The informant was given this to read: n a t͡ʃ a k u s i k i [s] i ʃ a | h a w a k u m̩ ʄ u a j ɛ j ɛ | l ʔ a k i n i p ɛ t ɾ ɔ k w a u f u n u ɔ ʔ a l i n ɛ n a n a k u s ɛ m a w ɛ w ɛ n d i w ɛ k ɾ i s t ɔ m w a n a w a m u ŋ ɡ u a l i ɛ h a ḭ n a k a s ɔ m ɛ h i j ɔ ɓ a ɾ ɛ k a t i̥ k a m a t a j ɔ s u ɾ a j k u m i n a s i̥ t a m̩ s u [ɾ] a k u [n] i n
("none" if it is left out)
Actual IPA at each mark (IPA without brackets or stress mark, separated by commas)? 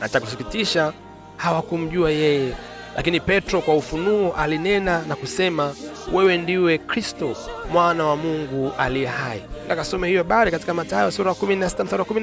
t, ɾ, m